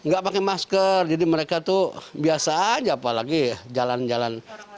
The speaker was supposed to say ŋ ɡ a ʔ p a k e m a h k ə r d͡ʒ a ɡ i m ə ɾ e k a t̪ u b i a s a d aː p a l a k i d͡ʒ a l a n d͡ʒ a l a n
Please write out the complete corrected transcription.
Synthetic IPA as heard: ŋ ɡ a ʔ p a k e m a s k ə r d͡ʒ a d i m ə ɾ e k a t̪ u b i a s a d͡ʒ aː p a l a ɡ i d͡ʒ a l a n d͡ʒ a l a n